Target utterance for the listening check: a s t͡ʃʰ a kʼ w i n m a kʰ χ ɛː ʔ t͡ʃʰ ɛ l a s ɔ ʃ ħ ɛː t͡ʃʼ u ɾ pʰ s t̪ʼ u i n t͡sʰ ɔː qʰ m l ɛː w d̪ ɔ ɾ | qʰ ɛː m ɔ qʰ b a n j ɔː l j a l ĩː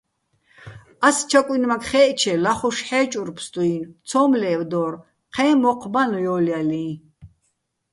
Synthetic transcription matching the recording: a s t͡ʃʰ a kʼ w i n m a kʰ χ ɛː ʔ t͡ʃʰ ɛ l a χ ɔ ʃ ħ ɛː t͡ʃʼ u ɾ pʰ s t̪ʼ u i n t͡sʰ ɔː m l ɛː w d̪ ɔ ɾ | qʰ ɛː m ɔ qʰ b a n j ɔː l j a l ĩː

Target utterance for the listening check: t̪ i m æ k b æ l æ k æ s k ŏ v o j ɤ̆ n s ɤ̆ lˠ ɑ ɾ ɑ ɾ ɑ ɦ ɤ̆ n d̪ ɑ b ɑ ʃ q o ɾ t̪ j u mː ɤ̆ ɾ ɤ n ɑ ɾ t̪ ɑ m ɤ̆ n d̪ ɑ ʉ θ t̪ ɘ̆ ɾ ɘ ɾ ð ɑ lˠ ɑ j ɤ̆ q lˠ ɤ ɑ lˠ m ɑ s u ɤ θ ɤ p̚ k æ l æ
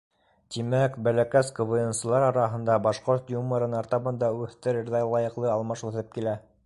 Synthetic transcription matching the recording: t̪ i m æ k b æ l æ k æ s k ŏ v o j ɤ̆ n s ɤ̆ lˠ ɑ ɾ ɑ ɾ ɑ ɦ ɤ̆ n d̪ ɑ b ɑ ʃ q o ɾ t̪ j u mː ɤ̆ ɾ ɤ n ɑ ɾ t̪ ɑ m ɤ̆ n d̪ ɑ ʉ θ t̪ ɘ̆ ɾ ɘ ɾ ð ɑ lˠ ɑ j ɤ̆ q lˠ ɤ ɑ lˠ m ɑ ʃ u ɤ θ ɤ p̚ k i l æ

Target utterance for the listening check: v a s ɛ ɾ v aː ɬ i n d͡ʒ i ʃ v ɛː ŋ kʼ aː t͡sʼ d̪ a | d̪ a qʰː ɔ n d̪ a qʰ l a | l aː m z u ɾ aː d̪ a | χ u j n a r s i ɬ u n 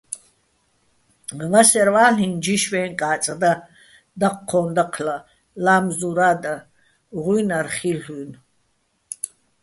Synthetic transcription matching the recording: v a s ɛ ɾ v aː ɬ i n d͡ʒ i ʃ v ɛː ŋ kʼ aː t͡sʼ d̪ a | d̪ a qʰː ɔ n d̪ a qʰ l a | l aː m z u ɾ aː d̪ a | ʁ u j n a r χ i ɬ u n

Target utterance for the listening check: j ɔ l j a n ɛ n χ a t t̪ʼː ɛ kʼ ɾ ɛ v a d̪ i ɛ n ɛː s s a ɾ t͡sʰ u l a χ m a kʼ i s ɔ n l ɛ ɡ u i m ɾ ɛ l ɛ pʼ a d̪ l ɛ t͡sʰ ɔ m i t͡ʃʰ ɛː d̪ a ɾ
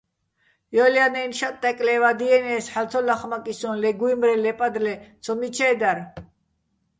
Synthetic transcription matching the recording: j ɔ l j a n ɛ n ʃ a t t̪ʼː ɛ kʼ l ɛ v a d̪ i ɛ n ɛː s ħ a l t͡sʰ ɔ l a χ m a kʼ i s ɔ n l ɛ ɡ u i m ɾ ɛ l ɛ pʼ a d̪ l ɛ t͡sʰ ɔ m i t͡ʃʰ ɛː d̪ a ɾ

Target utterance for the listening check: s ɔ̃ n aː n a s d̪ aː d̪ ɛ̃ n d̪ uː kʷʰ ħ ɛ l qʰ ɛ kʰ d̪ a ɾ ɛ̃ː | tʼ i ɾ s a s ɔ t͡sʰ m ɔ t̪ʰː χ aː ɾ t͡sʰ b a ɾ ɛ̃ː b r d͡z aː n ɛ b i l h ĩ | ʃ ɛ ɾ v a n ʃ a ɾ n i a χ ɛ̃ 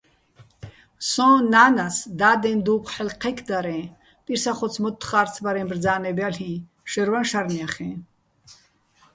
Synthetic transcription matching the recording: s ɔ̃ n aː n a s d̪ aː d̪ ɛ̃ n d̪ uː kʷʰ ħ ɛ l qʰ ɛ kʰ d̪ a ɾ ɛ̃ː | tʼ i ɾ s a χ ɔ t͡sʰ m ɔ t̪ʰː χ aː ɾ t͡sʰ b a ɾ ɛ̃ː b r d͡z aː n ɛ b a l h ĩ | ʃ ɛ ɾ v a n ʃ a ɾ n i a χ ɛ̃

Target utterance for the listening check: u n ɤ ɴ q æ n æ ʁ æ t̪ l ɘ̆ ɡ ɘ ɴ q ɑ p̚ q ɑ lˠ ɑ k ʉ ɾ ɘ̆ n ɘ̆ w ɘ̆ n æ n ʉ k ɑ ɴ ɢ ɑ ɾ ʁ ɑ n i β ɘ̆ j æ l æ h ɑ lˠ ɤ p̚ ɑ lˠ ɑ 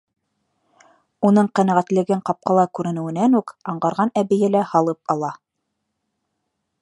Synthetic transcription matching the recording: u n ɤ ɴ q æ n æ ʁ æ t̪ l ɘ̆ ɡ ɘ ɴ q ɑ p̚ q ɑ lˠ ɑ k ʉ ɾ ɘ̆ n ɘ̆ w ɘ̆ n æ n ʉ k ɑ ɴ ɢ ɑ ɾ ʁ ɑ n æ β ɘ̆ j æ l æ h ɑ lˠ ɤ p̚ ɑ lˠ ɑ

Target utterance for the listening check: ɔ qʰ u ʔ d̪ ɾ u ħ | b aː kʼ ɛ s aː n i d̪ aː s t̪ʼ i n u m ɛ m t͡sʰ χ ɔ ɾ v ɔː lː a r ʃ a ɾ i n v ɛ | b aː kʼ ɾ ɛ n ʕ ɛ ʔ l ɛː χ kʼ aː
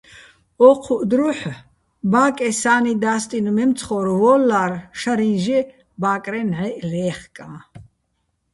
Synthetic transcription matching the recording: ɔ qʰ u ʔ d̪ ɾ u ħ | b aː kʼ ɛ s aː n i d̪ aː s t̪ʼ i n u m ɛ m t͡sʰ χ ɔ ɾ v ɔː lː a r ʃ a ɾ i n ʒ ɛ | b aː kʼ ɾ ɛ n ʕ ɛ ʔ l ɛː χ kʼ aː

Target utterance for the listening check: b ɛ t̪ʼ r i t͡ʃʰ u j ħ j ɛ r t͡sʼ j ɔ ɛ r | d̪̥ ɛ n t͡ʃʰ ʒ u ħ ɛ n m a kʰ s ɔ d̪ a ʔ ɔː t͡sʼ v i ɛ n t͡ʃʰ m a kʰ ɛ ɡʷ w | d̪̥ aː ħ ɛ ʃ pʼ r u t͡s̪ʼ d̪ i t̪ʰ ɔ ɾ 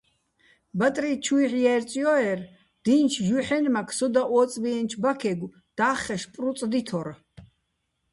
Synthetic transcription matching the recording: b a t̪ʼ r i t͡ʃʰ u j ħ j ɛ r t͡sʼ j ɔ ɛ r | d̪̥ i n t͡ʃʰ ʒ u ħ ɛ n m a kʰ s ɔ d̪ a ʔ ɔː t͡sʼ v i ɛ n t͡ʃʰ b a kʰ ɛ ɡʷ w | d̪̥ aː χ ɛ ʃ pʼ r u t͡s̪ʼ d̪ i t̪ʰ ɔ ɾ

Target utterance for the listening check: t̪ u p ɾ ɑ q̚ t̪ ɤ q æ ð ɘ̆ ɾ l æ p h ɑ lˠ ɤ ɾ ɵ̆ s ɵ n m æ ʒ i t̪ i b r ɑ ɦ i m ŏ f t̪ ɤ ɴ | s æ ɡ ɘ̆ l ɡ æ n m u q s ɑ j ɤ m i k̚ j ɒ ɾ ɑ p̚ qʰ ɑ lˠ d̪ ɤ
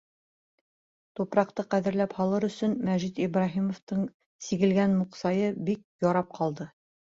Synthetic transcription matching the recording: t̪ u p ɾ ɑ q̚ t̪ ɤ q æ ð ɘ̆ ɾ l æ p h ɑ lˠ ɤ ɾ ɵ̆ s ɵ n m æ ʒ i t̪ i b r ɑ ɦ i m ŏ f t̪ ɤ ɴ | s i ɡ ɘ̆ l ɡ æ n m u q s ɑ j ɤ b i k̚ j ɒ ɾ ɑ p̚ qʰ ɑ lˠ d̪ ɤ

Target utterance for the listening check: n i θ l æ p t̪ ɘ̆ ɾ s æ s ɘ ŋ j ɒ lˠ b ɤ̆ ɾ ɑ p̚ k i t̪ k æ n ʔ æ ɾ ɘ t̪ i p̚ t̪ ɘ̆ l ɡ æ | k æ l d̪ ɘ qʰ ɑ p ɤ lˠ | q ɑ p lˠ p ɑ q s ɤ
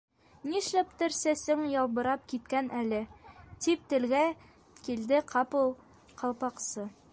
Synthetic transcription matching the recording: n i ʃ l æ p t̪ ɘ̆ ɾ s æ s ɘ ŋ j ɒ lˠ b ɤ̆ ɾ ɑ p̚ k i t̪ k æ n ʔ æ l ɘ t̪ i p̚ t̪ ɘ̆ l ɡ æ | k i l d̪ ɘ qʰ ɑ p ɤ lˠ | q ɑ lˠ p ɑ q s ɤ

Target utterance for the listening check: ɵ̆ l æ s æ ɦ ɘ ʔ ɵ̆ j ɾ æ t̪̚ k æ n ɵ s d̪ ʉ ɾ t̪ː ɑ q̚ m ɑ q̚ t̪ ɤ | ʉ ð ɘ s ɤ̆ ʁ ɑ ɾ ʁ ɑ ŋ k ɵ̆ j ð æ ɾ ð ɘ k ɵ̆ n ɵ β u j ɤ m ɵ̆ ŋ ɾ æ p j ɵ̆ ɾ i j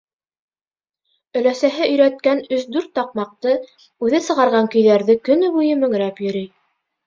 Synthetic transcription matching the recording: ɵ̆ l æ s æ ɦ ɘ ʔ ɵ̆ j ɾ æ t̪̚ k æ n ɵ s d̪ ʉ ɾ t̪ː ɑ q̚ m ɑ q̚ t̪ ɤ | ʉ ð ɘ s ɤ̆ ʁ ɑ ɾ ʁ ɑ ŋ k ɵ̆ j ð æ ɾ ð ɘ k ɵ̆ n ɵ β u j ɤ m ɵ̆ ŋ ɾ æ p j ɵ̆ ɾ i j

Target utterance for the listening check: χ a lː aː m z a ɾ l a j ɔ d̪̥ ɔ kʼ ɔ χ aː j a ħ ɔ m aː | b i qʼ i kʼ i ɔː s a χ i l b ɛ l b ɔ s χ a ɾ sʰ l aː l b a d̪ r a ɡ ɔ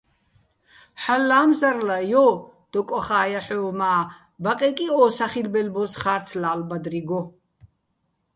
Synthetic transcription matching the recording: ħ a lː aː m z a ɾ l a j ɔ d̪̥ ɔ kʼ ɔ χ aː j a ħ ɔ m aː | b a qʼ ɛ kʼ i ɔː s a χ i l b ɛ l b ɔ s χ a ɾ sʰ l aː l b a d̪ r i ɡ ɔ

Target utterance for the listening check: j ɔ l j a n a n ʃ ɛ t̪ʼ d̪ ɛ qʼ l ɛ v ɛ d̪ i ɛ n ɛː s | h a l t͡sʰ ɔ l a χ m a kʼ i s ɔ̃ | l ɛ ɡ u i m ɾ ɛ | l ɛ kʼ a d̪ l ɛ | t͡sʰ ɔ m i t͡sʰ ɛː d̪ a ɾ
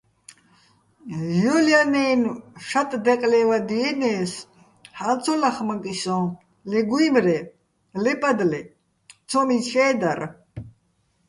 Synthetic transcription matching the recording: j ɔ l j a n ɛ n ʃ a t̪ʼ d̪ ɛ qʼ l ɛ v a d̪ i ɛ n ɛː s | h a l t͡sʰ ɔ l a χ m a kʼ i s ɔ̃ | l ɛ ɡ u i m ɾ ɛ | l ɛ pʼ a d̪ l ɛ | t͡sʰ ɔ m i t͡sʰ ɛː d̪ a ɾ

